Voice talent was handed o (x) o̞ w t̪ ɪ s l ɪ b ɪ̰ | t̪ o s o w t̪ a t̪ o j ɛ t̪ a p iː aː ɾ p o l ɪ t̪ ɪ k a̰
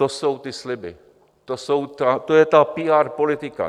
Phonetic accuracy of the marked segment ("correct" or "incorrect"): incorrect